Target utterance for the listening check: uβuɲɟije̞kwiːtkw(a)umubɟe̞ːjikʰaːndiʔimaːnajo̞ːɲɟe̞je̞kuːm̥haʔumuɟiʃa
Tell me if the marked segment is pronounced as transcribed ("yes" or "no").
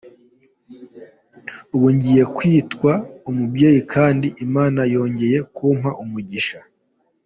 yes